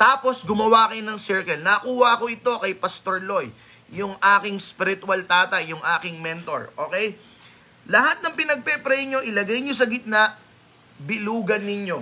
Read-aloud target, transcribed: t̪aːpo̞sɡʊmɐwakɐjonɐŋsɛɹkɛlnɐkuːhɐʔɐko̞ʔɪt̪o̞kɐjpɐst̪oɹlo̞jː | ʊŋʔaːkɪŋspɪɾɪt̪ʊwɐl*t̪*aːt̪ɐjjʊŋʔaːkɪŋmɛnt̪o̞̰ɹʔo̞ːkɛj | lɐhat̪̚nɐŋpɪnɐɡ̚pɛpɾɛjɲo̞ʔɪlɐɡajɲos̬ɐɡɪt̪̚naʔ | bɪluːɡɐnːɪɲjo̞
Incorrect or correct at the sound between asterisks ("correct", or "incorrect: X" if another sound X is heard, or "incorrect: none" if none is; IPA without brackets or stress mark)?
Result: correct